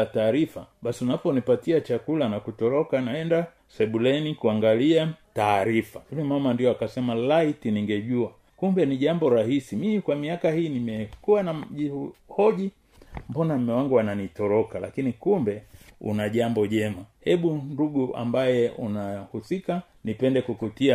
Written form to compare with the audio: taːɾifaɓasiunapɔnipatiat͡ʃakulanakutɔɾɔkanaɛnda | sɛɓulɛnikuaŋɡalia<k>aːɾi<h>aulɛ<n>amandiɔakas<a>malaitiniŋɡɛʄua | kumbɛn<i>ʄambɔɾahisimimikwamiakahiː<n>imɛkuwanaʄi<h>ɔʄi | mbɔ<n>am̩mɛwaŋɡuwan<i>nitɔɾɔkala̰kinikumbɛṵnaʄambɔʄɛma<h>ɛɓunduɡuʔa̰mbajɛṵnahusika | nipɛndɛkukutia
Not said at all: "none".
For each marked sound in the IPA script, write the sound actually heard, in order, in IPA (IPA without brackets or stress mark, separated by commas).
t, f, m, ɛ, i, n, h, n, a, h